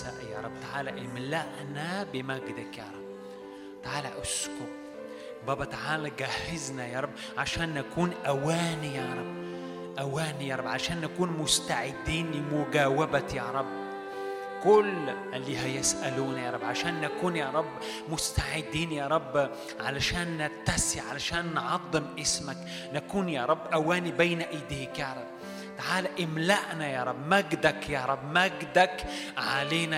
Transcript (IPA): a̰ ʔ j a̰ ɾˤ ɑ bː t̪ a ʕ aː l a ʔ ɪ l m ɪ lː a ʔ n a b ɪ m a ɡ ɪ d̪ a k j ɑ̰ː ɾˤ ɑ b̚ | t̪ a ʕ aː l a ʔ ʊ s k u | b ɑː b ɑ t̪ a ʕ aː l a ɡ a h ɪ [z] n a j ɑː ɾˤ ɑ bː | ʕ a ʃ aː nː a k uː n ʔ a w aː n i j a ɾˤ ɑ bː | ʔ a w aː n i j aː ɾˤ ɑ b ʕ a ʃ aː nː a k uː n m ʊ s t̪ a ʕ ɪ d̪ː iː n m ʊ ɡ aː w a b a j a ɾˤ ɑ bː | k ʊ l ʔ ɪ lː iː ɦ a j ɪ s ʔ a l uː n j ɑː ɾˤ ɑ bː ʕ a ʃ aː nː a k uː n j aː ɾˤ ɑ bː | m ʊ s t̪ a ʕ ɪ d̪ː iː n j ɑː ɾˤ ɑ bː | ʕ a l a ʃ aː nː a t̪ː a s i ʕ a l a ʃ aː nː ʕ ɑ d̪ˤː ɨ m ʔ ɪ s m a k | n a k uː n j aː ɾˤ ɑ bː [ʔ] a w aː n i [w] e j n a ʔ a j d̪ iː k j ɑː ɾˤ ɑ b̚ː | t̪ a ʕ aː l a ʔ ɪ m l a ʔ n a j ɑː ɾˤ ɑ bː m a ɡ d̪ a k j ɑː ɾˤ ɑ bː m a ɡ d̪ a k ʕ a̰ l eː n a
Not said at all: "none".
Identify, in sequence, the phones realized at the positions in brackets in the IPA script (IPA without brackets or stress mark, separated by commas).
z, ʔ, b